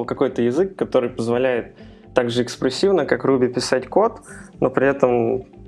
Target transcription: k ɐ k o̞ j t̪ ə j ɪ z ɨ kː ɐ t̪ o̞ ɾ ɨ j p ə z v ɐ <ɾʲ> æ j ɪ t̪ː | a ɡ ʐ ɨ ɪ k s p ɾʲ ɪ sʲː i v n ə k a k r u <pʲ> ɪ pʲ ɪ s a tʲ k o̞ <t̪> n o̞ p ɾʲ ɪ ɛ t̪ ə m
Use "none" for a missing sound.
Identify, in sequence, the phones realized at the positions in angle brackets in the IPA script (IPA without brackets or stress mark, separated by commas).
lʲ, bʲ, t̪